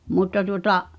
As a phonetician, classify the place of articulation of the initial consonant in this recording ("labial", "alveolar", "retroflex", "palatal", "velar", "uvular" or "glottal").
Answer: labial